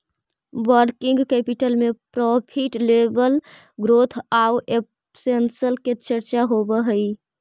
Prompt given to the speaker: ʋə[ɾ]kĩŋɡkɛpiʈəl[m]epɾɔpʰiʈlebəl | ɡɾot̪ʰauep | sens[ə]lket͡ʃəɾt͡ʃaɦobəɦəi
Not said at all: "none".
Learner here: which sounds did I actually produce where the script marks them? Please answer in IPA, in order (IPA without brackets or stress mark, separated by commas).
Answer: ɾ, m, ə